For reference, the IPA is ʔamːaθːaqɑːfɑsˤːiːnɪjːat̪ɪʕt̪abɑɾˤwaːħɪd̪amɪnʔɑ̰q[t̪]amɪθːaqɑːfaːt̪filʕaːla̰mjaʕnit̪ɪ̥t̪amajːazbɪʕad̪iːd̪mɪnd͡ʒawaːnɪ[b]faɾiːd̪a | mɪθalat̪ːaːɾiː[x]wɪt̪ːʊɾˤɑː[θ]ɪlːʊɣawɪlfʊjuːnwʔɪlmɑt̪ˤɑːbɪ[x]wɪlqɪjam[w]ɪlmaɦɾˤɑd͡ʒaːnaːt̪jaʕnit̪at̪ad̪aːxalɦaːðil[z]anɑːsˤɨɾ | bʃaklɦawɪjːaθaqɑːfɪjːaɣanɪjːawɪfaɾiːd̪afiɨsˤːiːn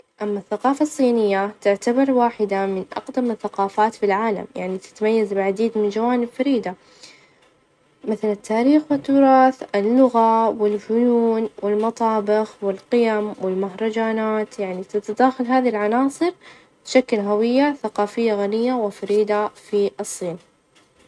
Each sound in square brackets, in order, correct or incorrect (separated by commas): incorrect, correct, correct, correct, correct, correct, incorrect